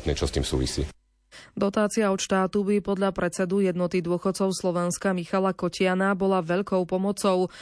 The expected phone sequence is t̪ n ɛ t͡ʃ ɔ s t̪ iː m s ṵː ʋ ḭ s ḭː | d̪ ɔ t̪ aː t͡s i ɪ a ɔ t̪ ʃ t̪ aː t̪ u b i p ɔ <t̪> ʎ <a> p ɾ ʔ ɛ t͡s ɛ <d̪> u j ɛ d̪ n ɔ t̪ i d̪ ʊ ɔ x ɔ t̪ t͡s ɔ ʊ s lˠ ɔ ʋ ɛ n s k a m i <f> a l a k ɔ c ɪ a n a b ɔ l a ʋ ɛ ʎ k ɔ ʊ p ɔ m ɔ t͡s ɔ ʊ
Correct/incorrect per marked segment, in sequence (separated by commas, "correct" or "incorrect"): incorrect, correct, correct, incorrect